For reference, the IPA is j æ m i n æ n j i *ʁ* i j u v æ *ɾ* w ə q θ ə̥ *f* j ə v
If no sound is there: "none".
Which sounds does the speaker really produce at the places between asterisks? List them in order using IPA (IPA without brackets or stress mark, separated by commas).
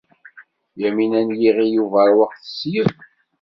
ʁ, ɾ, s